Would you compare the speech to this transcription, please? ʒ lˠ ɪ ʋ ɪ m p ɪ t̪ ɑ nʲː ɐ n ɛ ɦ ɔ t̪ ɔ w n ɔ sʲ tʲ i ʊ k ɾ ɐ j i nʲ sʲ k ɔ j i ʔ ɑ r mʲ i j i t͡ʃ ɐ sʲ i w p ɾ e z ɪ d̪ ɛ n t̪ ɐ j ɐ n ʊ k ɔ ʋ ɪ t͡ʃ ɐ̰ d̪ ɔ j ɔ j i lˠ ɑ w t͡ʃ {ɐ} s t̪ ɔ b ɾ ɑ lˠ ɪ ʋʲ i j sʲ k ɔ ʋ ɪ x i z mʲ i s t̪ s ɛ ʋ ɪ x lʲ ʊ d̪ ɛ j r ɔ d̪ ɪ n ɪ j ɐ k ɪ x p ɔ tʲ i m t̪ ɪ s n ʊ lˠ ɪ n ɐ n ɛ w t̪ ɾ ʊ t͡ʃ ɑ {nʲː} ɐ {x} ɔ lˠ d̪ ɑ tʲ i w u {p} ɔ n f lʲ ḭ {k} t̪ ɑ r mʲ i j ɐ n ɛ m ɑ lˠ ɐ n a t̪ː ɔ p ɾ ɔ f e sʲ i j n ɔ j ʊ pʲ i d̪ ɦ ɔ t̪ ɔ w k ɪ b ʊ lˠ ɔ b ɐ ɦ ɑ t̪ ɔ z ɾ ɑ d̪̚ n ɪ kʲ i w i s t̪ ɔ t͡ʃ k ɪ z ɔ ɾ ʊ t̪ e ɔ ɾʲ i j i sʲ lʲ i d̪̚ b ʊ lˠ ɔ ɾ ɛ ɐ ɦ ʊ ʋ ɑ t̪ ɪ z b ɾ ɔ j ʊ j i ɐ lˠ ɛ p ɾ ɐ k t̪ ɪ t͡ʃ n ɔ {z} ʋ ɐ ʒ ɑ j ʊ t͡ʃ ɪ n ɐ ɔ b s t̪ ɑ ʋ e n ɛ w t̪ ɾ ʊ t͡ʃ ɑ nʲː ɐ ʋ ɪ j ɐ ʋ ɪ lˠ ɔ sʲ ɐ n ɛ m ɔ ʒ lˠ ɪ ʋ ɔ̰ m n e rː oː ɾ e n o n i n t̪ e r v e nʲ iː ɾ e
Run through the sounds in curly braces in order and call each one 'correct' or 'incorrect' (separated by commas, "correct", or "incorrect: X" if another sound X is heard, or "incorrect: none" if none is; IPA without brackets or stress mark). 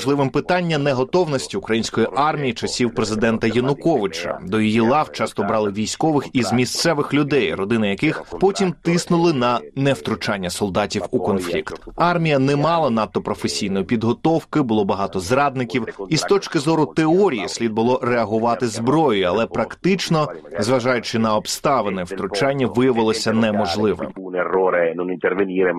incorrect: ɑ, correct, incorrect: s, incorrect: k, correct, correct